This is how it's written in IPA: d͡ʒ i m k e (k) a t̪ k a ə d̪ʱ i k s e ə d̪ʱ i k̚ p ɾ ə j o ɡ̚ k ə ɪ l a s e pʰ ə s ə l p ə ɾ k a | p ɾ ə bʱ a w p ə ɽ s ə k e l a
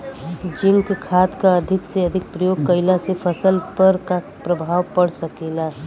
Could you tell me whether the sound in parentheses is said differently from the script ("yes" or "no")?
yes